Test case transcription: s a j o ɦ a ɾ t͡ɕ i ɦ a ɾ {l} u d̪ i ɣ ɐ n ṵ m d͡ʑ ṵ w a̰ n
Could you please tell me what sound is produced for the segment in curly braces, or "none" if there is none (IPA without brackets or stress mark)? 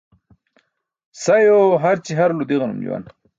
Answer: l